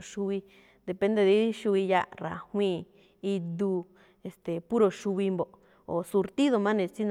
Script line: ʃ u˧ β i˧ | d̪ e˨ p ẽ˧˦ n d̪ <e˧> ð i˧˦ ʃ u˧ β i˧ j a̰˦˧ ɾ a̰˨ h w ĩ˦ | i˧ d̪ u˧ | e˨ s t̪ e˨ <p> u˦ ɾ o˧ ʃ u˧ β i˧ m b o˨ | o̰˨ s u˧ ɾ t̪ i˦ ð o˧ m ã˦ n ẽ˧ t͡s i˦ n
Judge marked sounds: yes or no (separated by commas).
yes, yes